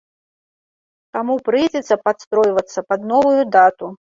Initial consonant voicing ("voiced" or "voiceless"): voiceless